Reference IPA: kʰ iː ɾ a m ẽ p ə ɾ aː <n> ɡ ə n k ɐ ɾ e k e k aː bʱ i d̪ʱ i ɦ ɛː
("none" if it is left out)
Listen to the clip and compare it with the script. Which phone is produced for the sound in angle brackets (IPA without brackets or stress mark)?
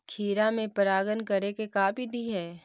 none